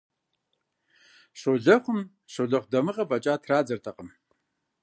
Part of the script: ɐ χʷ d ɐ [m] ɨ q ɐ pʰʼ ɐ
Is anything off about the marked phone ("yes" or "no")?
no